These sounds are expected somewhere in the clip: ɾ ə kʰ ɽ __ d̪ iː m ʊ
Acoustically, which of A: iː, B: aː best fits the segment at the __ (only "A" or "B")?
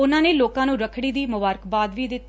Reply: A